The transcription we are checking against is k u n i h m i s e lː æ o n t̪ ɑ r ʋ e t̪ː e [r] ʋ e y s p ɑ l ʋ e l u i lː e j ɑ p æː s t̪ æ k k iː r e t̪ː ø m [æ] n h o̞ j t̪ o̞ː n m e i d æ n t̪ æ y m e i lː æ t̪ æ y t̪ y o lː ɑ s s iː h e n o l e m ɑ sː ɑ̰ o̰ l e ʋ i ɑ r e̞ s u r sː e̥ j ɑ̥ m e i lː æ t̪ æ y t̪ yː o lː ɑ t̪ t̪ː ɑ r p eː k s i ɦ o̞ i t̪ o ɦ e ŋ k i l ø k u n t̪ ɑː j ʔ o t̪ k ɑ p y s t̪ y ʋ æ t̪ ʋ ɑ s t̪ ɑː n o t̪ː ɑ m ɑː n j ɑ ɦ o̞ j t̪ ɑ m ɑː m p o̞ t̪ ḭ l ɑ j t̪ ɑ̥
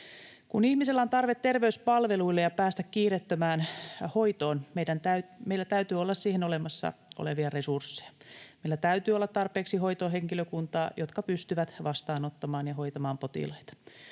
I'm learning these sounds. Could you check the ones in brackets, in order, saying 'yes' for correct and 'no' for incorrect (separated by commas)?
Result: yes, no